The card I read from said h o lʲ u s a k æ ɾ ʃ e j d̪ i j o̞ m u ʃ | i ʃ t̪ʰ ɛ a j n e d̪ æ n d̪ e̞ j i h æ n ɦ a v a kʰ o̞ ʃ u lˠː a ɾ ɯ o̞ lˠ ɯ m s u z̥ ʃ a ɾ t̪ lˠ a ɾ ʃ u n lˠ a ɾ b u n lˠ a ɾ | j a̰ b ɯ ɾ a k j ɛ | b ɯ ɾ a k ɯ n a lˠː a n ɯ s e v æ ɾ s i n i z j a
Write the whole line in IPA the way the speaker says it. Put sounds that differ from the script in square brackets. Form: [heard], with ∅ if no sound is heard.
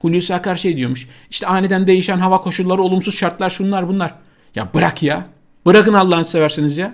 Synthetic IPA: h [u] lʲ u s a k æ ɾ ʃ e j d̪ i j o̞ m u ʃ | i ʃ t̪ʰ ɛ a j n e d̪ æ n d̪ e̞ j i [ʃ] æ n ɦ a v a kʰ o̞ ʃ u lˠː a ɾ ɯ o̞ lˠ [u] m s u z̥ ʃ a ɾ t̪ lˠ a ɾ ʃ u n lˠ a ɾ b u n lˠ a ɾ | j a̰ b ɯ ɾ a k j [a] | b ɯ ɾ a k ɯ n a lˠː a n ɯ s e v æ ɾ s i n i z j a